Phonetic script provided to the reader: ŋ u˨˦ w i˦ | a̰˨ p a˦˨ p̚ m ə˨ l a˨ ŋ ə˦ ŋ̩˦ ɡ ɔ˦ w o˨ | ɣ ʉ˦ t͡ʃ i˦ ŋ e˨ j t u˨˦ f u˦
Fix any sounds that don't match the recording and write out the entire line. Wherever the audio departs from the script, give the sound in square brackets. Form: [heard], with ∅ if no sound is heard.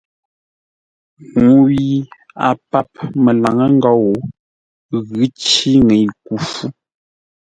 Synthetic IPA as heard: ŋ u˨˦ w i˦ | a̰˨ p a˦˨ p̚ m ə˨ l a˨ ŋ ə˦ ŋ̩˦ ɡ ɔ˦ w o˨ | ɣ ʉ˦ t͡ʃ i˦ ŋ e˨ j [k] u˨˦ f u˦